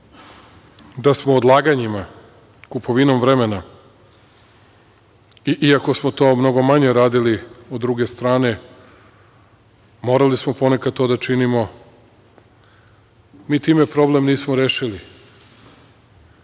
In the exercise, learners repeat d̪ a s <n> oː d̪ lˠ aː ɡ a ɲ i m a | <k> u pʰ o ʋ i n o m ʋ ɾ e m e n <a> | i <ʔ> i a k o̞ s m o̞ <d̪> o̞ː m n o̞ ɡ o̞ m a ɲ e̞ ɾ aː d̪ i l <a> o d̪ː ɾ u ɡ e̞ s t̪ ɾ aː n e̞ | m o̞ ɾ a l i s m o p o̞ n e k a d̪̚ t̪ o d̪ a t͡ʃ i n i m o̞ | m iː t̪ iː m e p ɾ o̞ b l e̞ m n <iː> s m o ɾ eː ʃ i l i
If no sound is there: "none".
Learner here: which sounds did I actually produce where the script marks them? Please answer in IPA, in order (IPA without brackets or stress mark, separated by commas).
m, k, a, ʔ, t̪, i, iː